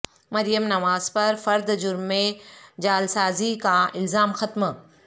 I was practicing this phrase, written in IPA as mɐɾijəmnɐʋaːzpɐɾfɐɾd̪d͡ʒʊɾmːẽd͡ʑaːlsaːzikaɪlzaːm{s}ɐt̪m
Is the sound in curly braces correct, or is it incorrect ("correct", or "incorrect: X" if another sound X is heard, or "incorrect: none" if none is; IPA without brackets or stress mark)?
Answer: incorrect: x